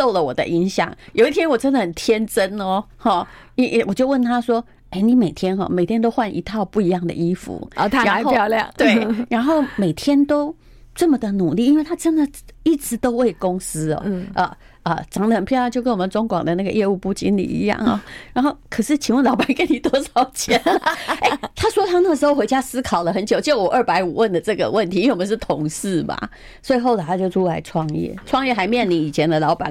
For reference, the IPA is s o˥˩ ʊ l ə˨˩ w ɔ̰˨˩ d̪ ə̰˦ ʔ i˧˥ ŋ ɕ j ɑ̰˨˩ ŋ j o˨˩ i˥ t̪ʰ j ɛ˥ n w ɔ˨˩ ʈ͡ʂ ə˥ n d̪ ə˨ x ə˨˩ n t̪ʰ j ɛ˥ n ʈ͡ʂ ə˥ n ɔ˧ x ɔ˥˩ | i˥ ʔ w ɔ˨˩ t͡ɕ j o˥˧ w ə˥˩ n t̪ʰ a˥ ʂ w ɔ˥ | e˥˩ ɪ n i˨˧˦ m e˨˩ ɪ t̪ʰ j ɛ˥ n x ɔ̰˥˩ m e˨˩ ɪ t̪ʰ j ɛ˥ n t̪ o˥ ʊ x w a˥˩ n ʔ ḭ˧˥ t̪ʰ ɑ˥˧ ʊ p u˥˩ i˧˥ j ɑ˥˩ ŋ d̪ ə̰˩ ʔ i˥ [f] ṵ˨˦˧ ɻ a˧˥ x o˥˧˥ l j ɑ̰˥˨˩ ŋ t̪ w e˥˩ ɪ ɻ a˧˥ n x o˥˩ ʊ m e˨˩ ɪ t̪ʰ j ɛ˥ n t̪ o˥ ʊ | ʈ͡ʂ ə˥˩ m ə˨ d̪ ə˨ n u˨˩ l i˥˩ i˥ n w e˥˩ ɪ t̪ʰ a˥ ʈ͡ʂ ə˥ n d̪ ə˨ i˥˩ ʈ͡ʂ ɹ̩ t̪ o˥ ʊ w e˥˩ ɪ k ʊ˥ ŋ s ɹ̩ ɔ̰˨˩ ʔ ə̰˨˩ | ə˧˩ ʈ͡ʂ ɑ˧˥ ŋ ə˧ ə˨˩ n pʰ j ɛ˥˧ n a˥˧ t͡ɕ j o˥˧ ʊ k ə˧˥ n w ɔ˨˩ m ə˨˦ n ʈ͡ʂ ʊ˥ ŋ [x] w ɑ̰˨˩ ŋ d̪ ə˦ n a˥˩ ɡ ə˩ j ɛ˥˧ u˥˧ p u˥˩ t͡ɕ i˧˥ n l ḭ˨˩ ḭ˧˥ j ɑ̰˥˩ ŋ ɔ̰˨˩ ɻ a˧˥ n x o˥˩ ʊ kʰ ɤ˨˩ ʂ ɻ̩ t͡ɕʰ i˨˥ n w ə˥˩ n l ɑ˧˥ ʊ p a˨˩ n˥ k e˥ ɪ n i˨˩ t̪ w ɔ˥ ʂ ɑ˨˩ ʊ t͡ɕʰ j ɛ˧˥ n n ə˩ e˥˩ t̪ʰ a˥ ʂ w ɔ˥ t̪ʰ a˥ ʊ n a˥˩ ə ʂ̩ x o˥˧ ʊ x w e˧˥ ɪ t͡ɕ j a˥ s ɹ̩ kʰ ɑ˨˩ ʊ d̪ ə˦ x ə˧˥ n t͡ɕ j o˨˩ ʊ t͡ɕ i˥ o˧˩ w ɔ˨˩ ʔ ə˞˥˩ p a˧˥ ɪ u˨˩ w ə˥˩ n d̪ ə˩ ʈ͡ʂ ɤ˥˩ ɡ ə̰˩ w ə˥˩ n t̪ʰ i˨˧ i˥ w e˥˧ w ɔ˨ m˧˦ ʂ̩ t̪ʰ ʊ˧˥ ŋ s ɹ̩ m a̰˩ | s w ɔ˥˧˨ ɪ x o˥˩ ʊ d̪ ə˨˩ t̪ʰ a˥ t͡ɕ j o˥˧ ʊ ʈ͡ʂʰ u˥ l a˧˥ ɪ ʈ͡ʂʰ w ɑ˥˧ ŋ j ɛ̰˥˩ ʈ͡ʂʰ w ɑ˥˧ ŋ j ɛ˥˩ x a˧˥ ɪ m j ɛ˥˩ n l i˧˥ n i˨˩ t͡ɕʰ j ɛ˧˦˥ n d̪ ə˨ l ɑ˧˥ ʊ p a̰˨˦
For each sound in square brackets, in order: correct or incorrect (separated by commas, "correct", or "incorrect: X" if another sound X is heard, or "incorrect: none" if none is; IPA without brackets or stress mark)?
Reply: correct, incorrect: k